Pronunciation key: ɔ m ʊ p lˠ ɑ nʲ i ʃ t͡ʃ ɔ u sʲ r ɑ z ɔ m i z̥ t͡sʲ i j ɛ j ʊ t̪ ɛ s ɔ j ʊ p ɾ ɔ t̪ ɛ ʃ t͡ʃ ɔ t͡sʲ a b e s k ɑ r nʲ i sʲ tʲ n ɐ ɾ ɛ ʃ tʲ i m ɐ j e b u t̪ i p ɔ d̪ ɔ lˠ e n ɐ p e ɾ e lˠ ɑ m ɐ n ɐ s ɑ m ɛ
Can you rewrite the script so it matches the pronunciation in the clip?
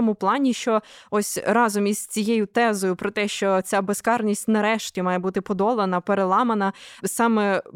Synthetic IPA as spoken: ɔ m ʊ p lˠ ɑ nʲ i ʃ t͡ʃ ɔ ɔ sʲ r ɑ z ɔ m i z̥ t͡sʲ i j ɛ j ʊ t̪ ɛ z ɔ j ʊ p ɾ ɔ t̪ ɛ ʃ t͡ʃ ɔ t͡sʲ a b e s k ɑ r nʲ i sʲ tʲ n ɐ ɾ ɛ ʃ tʲ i m ɑ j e b u t̪ ɪ p ɔ d̪ ɔ lˠ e n ɐ p e ɾ e lˠ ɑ m ɐ n ɐ s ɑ m ɛ